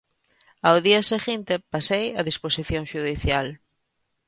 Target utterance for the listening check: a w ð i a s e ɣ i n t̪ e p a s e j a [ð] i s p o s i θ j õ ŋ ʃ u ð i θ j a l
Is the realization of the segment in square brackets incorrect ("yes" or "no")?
no